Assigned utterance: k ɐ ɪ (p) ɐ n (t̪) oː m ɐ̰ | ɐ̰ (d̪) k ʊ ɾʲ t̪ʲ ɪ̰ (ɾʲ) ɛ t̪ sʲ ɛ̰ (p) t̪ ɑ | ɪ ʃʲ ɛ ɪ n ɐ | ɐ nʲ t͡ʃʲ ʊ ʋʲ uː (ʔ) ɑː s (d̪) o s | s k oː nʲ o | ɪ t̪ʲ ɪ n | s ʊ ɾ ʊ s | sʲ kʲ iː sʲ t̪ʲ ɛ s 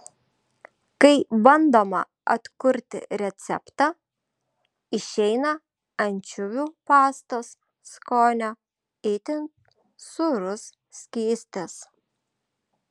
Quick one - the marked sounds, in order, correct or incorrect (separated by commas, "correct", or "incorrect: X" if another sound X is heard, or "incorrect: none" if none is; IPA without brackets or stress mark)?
incorrect: b, incorrect: d̪, incorrect: t̪, correct, correct, incorrect: p, incorrect: t̪